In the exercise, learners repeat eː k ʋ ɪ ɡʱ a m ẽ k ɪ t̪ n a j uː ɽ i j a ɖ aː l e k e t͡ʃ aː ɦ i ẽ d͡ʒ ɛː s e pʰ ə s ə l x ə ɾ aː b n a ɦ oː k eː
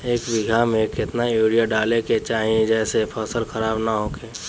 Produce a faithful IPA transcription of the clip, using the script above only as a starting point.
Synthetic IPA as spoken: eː k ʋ ɪ ɡʱ a m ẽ k ɪ t̪ n a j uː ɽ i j a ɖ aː l e k e t͡ʃ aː ɦ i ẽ d͡ʒ ɛː s e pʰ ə s ə l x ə ɾ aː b n a ɦ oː k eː